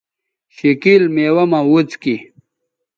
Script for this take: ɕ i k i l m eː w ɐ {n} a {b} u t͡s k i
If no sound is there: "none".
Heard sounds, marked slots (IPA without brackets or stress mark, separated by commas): m, w